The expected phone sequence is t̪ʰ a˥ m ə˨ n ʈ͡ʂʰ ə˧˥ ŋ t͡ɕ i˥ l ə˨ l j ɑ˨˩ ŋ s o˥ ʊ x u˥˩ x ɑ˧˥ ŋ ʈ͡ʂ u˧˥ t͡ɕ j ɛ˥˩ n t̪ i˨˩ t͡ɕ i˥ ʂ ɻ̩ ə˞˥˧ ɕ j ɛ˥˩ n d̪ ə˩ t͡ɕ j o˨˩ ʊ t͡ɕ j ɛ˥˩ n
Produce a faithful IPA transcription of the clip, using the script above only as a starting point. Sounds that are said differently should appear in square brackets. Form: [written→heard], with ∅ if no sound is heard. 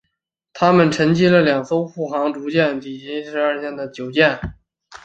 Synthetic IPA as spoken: t̪ʰ a˥ m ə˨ n ʈ͡ʂʰ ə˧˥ ŋ t͡ɕ i˥ l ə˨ l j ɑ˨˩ ŋ s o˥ ʊ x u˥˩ x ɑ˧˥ ŋ ʈ͡ʂ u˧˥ t͡ɕ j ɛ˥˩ n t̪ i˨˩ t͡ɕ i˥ ʂ ɻ̩ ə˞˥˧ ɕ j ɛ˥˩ n d̪ ə˩ t͡ɕ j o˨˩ ʊ t͡ɕ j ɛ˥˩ n